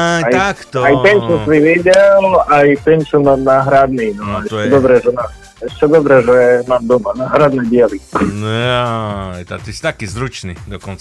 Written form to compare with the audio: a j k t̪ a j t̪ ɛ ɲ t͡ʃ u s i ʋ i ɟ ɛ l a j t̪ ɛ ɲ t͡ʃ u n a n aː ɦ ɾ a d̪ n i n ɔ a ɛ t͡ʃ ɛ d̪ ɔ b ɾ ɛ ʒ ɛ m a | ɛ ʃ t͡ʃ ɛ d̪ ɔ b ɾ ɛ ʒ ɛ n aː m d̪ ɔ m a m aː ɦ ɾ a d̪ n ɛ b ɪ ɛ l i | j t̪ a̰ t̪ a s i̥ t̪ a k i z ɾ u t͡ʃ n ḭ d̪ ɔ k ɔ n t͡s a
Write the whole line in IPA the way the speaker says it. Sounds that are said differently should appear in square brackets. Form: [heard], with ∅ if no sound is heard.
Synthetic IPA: a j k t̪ a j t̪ ɛ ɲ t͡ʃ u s i ʋ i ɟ ɛ l a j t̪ ɛ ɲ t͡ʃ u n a n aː ɦ ɾ a d̪ n i n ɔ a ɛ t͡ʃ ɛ d̪ ɔ b ɾ ɛ ʒ ɛ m a | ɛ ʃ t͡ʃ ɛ d̪ ɔ b ɾ ɛ ʒ ɛ [m] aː m d̪ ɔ m a [n] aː ɦ ɾ a d̪ n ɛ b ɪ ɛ l i | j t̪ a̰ t̪ [i] s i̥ t̪ a k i z ɾ u t͡ʃ n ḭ d̪ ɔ k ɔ n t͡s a